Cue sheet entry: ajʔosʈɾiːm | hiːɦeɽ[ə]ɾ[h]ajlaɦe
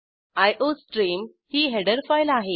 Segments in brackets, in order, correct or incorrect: correct, incorrect

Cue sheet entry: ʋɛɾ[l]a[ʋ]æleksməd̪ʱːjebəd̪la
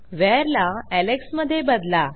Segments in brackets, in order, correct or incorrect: correct, incorrect

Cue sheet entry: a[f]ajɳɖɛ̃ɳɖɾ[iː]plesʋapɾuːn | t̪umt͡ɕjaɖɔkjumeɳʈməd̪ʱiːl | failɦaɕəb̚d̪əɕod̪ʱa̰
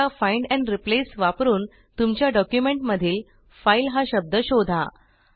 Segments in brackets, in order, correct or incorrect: correct, incorrect

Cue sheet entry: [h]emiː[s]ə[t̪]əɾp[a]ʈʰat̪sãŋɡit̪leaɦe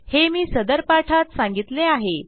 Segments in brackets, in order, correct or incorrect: correct, correct, incorrect, correct

